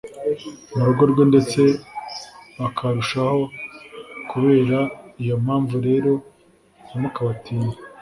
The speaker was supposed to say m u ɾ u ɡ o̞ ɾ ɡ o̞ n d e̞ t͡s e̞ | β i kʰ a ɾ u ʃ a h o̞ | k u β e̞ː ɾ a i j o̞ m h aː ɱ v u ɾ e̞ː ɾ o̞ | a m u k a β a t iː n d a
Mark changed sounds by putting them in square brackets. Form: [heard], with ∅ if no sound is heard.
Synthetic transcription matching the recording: m u ɾ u ɡ o̞ ɾ ɡ o̞ n d e̞ t͡s e̞ | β [a] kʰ a ɾ u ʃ a h o̞ | k u β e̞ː ɾ a i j o̞ m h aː ɱ v u ɾ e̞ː ɾ o̞ | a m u k a β a t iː n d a